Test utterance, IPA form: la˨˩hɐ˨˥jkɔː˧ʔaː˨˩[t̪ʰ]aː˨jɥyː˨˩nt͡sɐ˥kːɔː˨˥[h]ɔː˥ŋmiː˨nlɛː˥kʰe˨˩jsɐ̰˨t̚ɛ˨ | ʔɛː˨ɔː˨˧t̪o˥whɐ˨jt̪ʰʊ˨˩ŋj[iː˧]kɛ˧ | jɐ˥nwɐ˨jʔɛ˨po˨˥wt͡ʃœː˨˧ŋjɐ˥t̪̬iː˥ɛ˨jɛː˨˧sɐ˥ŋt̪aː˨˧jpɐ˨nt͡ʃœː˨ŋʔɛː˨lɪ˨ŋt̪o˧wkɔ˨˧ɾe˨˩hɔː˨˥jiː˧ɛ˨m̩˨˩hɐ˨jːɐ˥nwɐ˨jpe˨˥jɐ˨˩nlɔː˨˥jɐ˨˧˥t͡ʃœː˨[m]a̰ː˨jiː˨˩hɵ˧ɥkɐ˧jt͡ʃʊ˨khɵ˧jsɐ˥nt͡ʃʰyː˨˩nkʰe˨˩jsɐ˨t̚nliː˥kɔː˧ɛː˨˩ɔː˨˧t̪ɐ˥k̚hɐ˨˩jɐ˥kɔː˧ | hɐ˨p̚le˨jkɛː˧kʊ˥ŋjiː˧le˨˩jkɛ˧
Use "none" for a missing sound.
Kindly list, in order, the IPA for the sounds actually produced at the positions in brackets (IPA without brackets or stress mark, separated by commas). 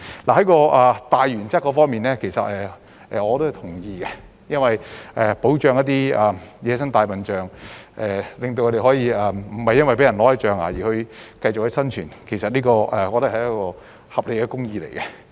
t̪, f, iː˧, ŋ